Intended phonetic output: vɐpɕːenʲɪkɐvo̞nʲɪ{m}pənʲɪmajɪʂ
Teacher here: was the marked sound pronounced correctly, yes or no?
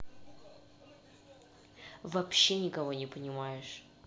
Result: no